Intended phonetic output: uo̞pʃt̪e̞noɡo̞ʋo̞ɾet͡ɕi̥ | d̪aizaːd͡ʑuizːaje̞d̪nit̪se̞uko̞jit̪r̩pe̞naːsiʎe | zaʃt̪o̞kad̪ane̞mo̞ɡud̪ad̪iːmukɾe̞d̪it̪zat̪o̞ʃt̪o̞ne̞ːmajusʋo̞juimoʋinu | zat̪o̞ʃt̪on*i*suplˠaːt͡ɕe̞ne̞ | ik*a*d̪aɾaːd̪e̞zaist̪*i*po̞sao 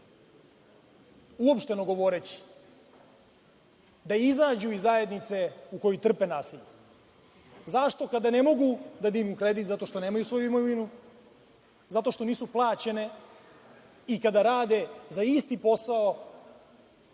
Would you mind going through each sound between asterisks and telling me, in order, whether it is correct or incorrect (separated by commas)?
incorrect, correct, correct